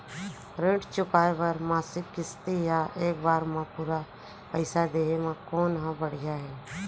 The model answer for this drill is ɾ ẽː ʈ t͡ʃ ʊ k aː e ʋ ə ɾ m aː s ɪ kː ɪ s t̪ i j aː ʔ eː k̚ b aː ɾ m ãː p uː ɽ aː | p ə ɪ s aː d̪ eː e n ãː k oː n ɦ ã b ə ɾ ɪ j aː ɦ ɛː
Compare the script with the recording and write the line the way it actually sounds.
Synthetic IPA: ɾ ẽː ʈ t͡ʃ ʊ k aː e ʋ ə ɾ m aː s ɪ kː ɪ s t̪ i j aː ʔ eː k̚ b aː ɾ m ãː p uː ɾ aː | p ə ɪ s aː d̪ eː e m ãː k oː n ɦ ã b ə ɽ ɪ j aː ɦ ɛː

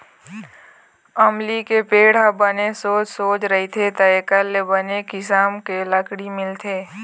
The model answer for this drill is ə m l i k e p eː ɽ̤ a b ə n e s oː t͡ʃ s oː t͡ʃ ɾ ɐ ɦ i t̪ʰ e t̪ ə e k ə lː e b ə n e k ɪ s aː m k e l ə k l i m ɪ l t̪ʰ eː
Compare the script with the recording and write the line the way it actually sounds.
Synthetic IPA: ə m l i k e p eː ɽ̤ a b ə n e s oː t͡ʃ s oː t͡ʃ ɾ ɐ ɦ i t̪ʰ e t̪ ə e k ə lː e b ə n e k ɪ s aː m k e l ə k ɽ i m ɪ l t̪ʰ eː

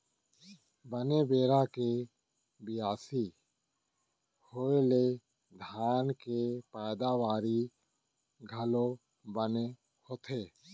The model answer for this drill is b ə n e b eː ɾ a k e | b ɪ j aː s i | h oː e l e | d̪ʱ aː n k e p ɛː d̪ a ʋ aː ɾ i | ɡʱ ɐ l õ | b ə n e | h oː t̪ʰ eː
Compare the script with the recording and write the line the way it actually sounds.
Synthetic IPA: b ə n e b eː ɾ a k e | b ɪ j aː s i | h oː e l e | d̪ʱ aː n k e p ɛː d̪ a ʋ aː ɾ i | ɡʱ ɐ l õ | b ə n e | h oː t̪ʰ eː

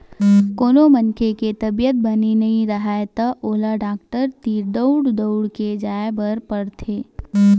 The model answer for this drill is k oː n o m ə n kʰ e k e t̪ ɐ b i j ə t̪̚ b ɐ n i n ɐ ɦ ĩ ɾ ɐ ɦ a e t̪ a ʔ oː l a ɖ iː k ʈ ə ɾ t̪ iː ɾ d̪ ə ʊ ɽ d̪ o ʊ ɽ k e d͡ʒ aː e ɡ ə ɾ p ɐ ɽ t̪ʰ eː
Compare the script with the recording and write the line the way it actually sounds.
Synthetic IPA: k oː n o m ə n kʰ e k e t̪ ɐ b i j ə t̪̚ b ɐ n i n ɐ ɦ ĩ ɾ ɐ ɦ a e t̪ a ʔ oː l a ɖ aː k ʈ ə ɾ t̪ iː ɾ d̪ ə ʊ ɽ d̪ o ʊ ɽ k e d͡ʒ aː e b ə ɾ p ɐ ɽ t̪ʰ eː

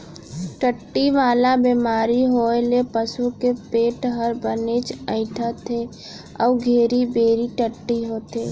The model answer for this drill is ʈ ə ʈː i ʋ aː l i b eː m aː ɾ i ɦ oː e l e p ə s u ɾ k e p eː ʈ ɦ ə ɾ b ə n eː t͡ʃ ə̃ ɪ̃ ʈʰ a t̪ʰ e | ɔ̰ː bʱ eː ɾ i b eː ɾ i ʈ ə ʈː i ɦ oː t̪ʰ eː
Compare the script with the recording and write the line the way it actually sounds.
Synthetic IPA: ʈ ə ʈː i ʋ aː l a b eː m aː ɾ i ɦ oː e l e p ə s u k e p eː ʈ ɦ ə ɾ b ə n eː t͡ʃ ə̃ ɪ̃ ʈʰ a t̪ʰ e | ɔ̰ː ɡʱ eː ɾ i b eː ɾ i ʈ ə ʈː i ɦ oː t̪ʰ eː

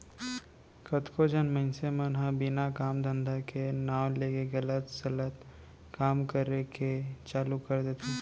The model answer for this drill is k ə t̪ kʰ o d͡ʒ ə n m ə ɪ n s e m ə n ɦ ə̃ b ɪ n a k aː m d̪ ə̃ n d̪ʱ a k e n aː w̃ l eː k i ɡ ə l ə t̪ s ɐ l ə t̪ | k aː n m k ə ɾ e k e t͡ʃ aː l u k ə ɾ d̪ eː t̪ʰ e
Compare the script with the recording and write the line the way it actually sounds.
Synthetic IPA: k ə t̪ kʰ o d͡ʒ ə n m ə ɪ n s e m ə n ɦ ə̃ b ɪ n a k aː m d̪ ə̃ n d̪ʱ a k e n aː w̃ l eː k e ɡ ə l ə t̪ s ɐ l ə t̪ | k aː m k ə ɾ e k e t͡ʃ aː l u k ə ɾ d̪ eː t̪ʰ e

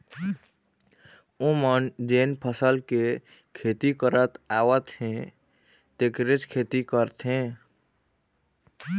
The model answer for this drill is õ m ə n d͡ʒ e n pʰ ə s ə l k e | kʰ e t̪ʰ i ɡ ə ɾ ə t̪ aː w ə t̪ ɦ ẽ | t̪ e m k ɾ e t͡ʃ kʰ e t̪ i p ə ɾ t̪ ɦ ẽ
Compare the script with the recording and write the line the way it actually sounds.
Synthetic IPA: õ m ə n d͡ʒ e n pʰ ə s ə l k e | kʰ e t̪ i k ə ɾ ə t̪ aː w ə t̪ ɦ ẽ | t̪ e k ɾ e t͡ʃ kʰ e t̪ i k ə ɾ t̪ ɦ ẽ

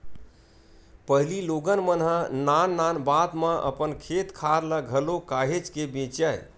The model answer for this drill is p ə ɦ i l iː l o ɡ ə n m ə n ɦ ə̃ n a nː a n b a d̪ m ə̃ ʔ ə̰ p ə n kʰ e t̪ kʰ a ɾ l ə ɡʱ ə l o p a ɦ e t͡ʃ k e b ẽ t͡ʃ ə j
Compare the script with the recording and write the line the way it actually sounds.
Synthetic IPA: p ə ɦ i l i l o ɡ ə n m ə n ɦ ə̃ n a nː a n b a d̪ m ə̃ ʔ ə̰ p ə n kʰ e t̪ kʰ a ɾ l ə ɡʱ ə l o k a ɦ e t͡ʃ k e b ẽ t͡ʃ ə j

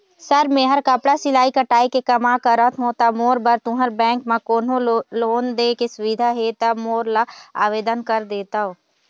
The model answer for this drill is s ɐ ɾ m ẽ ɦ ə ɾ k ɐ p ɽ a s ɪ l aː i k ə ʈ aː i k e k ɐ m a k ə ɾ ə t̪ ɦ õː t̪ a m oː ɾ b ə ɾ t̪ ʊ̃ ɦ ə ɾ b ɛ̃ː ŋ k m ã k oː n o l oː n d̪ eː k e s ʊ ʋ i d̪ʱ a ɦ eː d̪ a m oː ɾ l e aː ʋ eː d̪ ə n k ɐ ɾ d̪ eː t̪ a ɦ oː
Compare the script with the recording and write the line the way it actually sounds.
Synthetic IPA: s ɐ ɾ m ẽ ɦ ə ɾ k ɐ p ɽ a s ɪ l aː i k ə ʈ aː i k e k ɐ m a k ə ɾ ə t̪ ɦ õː t̪ a m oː ɾ b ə ɾ t̪ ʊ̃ ɦ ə ɾ b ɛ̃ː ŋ k m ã k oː n o l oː n d̪ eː k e s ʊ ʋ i d̪ʱ a ɦ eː t̪ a m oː ɾ l a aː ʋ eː d̪ ə n k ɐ ɾ d̪ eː t̪ a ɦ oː

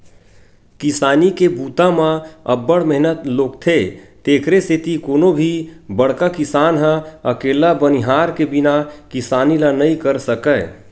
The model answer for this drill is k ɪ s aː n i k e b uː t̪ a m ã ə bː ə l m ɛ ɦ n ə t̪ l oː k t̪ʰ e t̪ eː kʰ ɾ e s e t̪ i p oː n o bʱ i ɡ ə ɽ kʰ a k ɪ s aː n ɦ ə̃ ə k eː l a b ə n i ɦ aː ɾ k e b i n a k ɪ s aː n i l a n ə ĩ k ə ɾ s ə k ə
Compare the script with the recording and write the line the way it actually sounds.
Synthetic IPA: k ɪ s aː n i k e b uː t̪ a m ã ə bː ə ɽ m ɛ ɦ n ə t̪ l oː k t̪ʰ e t̪ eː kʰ ɾ e s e t̪ i k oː n o bʱ i b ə ɽ k a k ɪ s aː n ɦ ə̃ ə k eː l a b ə n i ɦ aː ɾ k e b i n a k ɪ s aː n i l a n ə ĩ k ə ɾ s ə k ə

